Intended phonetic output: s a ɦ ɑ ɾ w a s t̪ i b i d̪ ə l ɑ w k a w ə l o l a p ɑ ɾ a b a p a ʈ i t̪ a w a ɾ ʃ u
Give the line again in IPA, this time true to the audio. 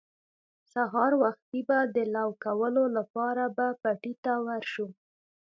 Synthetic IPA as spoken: s a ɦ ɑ ɾ w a x t̪ i b a d̪ ə l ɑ w k a w ə l o l a p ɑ ɾ a b a p a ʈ i t̪ a w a ɾ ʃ u